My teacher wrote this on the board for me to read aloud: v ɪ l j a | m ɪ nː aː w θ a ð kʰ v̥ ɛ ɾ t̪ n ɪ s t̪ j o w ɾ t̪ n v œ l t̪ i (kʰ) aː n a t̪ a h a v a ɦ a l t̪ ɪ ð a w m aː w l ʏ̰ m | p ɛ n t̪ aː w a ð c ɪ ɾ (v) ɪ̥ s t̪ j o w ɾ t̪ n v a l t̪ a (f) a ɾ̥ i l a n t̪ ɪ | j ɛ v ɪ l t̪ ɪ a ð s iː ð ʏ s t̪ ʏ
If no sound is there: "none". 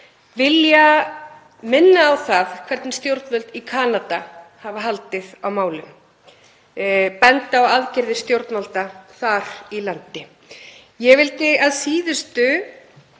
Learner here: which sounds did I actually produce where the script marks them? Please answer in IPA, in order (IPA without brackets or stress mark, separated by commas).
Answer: kʰ, ð, θ